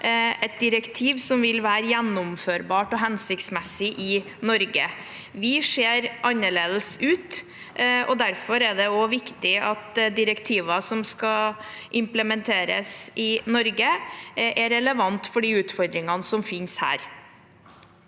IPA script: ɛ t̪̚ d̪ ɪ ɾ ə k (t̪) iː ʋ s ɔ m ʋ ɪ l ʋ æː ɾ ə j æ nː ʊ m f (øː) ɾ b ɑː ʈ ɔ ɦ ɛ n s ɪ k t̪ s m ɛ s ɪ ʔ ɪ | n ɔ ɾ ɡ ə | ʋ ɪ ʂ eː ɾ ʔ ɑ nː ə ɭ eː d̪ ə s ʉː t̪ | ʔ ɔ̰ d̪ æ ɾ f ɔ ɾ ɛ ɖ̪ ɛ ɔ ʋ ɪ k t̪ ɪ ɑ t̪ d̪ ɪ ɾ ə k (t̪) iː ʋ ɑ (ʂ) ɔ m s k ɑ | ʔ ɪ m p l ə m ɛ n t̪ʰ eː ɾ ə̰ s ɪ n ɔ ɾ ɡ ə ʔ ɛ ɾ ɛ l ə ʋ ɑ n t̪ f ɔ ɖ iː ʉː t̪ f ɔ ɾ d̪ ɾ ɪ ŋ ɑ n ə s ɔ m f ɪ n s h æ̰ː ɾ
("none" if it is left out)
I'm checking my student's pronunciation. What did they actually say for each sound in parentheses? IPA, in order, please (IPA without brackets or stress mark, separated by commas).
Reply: t̪ʰ, øː, t̪ʰ, s